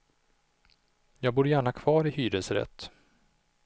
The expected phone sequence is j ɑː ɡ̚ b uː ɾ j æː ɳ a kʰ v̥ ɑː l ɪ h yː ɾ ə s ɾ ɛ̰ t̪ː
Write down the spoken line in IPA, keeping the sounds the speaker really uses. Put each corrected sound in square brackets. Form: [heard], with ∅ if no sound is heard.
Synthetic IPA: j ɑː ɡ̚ b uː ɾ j æː ɳ a kʰ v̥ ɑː [ɾ] ɪ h yː ɾ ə s ɾ ɛ̰ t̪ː